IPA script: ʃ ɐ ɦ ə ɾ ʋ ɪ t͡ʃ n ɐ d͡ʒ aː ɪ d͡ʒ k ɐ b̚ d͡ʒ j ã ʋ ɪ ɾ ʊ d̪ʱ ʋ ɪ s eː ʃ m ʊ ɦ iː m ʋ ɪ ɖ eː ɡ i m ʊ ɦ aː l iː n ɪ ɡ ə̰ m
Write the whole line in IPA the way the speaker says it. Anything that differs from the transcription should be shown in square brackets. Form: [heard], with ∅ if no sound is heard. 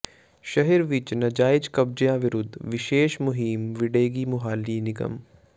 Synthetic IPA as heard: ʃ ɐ ɦ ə ɾ ʋ ɪ t͡ʃ n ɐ d͡ʒ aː ɪ d͡ʒ k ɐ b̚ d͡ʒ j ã ʋ ɪ ɾ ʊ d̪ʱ ʋ ɪ [ʃ] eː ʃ m ʊ ɦ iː m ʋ ɪ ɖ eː ɡ i m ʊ ɦ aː l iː n ɪ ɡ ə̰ m